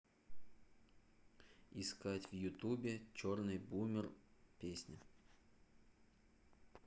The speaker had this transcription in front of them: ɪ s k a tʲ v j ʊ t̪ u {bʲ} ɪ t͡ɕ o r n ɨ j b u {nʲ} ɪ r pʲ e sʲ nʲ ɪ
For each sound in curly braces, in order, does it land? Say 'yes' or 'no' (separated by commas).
yes, no